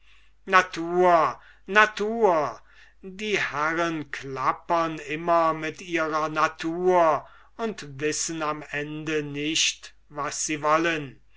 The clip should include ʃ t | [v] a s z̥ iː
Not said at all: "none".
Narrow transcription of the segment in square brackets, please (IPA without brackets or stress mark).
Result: v